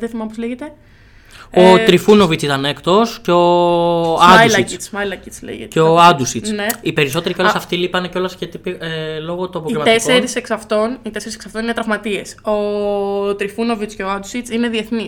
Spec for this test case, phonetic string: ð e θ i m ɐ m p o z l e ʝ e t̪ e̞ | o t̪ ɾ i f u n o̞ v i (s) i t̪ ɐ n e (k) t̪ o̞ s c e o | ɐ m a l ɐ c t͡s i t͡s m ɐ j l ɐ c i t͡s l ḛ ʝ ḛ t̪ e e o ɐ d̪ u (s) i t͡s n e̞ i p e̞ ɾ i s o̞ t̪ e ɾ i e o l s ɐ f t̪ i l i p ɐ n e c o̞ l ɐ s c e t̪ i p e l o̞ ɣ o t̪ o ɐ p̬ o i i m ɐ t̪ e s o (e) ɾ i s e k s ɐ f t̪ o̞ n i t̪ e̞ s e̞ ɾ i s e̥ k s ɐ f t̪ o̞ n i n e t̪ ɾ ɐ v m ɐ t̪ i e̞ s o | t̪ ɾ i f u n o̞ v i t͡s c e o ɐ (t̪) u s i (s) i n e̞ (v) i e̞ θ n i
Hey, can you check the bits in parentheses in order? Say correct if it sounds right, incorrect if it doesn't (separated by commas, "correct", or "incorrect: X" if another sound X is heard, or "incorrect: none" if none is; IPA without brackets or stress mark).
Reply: incorrect: t͡s, correct, correct, correct, incorrect: d̪, incorrect: t͡s, incorrect: ð